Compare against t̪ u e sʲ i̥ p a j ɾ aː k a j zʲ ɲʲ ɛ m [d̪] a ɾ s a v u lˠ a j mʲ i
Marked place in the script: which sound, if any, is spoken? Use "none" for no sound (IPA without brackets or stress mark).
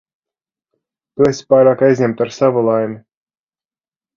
t̪